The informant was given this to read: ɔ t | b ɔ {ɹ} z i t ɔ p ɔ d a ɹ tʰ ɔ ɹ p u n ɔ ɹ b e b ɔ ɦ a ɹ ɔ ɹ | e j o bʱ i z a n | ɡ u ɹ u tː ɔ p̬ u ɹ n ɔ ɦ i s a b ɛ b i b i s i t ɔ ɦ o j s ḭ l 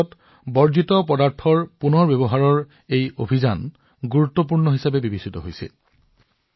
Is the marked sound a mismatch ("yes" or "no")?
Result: no